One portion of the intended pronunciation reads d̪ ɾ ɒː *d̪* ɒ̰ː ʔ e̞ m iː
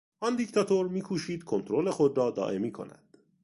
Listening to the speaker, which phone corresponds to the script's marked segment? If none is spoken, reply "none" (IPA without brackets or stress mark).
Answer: d̪